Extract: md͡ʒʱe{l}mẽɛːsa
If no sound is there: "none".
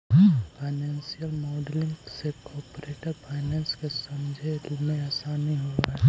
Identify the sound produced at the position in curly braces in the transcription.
l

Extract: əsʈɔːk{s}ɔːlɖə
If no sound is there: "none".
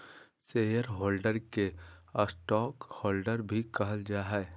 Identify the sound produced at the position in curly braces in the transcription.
h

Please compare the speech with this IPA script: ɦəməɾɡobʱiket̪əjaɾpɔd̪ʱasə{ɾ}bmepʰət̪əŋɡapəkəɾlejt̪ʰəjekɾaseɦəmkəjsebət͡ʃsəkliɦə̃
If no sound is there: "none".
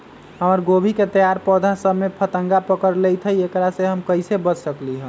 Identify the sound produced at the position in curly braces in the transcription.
none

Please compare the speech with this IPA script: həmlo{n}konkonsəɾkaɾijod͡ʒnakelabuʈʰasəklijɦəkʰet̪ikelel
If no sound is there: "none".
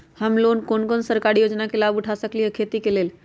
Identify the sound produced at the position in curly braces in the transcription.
n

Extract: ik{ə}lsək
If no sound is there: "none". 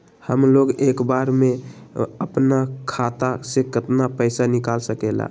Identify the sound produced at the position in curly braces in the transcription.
a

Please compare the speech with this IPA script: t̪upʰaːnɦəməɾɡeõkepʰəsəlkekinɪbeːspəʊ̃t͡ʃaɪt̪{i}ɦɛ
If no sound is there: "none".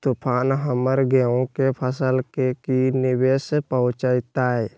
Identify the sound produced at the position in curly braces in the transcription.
a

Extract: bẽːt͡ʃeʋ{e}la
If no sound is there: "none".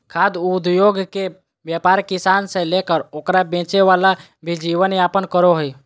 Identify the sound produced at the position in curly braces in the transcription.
a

